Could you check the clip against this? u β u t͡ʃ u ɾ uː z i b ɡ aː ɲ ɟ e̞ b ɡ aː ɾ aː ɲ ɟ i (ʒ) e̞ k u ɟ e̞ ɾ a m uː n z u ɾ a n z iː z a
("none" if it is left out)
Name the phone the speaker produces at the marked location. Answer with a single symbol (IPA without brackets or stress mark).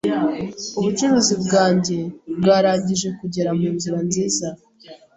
ʒ